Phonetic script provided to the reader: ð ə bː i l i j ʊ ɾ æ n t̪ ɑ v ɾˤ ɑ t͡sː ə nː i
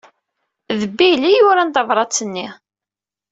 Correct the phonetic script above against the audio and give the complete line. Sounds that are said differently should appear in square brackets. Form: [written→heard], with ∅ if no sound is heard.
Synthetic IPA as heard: ð ə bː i l i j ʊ ɾ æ n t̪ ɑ v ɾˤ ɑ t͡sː ə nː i